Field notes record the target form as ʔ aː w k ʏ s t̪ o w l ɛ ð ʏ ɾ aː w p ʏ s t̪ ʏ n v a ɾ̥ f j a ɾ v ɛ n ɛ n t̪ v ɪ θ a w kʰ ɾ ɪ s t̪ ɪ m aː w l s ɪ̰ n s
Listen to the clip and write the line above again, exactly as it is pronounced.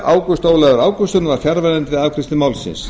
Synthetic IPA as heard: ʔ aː w k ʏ s t̪ o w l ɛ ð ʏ ɾ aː w k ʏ s t̪ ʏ n v a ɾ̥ f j a ɾ v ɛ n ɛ n t̪ v ɪ ð a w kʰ ɾ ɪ s t̪ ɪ m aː w l s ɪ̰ n s